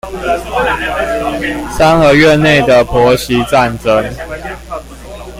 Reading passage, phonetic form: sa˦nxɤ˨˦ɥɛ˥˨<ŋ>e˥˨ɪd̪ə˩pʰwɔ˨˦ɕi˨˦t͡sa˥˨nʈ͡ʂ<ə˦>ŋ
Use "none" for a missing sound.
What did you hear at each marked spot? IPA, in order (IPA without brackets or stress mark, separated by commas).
n, ə˦